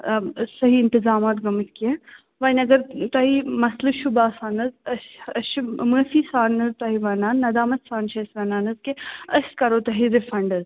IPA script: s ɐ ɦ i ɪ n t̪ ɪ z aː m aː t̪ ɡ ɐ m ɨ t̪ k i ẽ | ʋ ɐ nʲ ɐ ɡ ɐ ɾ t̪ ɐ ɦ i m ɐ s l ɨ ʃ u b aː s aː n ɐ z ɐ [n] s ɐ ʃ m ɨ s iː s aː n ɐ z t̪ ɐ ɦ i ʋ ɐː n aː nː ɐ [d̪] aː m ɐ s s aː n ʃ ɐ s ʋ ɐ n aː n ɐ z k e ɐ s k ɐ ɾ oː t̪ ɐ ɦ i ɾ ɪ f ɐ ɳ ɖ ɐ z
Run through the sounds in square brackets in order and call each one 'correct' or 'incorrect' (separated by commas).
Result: incorrect, correct